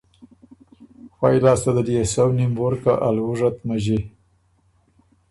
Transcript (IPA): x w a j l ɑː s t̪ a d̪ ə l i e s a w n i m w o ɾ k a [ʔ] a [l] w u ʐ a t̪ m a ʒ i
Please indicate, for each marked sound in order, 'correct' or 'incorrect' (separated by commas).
correct, correct